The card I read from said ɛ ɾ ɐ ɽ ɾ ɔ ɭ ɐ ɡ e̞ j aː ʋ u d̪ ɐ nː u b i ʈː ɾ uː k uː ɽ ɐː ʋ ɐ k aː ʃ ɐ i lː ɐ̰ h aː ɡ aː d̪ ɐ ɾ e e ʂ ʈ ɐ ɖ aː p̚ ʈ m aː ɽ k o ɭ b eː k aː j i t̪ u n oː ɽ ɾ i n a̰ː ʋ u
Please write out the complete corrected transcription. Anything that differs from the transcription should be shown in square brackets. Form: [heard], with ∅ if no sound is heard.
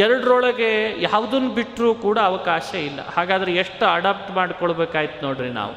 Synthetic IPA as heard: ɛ ɾ ɐ ɽ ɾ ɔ ɭ ɐ ɡ e̞ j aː ʋ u d̪ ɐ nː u b i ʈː ɾ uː k uː ɽ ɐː ʋ ɐ k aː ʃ ɐ i lː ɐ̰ h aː ɡ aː d̪ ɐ ɾ e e ʂ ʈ ɐ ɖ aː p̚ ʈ m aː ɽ k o ɭ b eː k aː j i t̪ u n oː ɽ ɾ i n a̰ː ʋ u